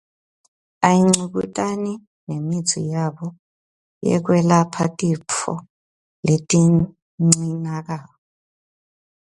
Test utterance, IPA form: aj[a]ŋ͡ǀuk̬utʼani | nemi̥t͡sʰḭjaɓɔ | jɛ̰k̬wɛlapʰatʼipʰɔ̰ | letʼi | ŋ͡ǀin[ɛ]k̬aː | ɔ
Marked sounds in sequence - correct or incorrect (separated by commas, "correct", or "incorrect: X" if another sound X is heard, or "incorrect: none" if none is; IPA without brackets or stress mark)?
incorrect: i, incorrect: a